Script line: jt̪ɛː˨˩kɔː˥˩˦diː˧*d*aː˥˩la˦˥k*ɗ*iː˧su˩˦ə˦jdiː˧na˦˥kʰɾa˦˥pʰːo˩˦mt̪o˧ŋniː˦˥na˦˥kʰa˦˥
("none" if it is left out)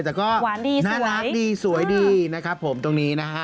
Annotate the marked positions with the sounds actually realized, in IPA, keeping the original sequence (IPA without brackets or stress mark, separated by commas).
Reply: n, d